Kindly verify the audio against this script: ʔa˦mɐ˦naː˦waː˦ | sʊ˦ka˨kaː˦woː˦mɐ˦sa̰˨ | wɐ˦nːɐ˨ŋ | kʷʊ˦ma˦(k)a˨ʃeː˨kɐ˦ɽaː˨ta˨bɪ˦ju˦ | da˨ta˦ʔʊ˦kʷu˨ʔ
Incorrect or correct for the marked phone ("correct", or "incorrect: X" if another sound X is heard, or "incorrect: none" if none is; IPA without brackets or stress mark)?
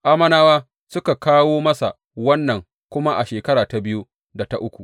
incorrect: ʔ